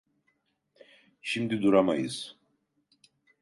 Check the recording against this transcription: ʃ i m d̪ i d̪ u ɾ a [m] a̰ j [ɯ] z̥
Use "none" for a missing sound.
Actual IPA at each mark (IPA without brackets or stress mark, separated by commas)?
m, ɯ